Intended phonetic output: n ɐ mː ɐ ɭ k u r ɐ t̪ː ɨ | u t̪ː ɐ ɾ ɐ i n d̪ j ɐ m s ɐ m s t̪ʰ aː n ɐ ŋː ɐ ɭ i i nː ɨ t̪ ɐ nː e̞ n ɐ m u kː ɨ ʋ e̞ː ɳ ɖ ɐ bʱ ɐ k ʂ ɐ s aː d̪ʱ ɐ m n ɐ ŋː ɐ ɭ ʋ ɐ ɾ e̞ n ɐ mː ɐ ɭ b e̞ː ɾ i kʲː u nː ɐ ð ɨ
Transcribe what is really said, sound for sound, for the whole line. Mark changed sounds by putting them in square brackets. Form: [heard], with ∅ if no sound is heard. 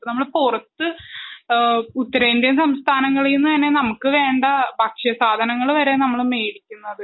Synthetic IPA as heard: n ɐ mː ɐ ɭ [p] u r ɐ t̪ː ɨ | u t̪ː ɐ ɾ ɐ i n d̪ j ɐ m s ɐ m s t̪ʰ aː n ɐ ŋː ɐ ɭ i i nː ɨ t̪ ɐ nː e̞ n ɐ m u kː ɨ ʋ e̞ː ɳ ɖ ɐ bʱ ɐ k ʂ ɐ s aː d̪ʱ ɐ [∅] n ɐ ŋː ɐ ɭ ʋ ɐ ɾ e̞ n ɐ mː ɐ ɭ [m] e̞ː [ɽ] i kʲː u nː ɐ ð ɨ